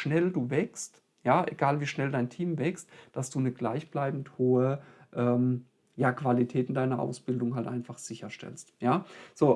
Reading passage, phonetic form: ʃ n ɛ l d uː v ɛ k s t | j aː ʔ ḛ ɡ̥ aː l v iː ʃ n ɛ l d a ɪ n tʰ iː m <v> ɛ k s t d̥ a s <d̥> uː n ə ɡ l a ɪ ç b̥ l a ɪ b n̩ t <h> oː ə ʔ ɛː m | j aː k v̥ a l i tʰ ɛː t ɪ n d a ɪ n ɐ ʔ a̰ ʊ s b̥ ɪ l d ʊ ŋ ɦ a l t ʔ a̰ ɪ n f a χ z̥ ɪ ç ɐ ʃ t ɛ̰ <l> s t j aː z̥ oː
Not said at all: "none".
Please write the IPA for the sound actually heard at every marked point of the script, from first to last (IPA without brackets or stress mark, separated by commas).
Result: v, d̥, h, l